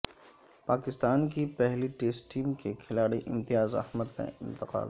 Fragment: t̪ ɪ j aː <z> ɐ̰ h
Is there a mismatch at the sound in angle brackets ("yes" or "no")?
no